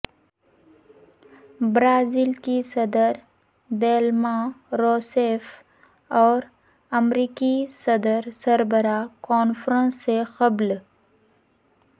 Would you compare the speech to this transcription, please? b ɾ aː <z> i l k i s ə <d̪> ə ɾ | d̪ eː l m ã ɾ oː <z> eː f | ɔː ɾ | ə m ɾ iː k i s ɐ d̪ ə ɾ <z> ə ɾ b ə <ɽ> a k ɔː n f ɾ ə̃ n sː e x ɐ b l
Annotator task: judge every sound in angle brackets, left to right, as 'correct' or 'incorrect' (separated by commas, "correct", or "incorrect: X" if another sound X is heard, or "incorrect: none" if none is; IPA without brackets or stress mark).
correct, correct, incorrect: s, incorrect: s, incorrect: ɾ